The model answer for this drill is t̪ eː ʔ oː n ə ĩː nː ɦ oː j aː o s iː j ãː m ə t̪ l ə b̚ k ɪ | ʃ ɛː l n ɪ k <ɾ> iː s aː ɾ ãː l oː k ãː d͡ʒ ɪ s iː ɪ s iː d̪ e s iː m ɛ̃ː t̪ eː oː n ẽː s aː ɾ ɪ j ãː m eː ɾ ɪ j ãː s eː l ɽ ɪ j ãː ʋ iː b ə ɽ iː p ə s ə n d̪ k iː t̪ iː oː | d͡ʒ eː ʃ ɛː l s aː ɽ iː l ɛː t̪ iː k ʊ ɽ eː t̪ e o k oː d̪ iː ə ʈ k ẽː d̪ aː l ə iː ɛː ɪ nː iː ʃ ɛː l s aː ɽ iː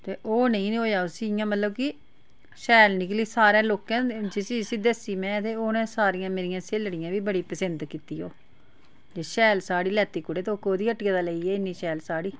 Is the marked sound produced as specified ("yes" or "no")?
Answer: no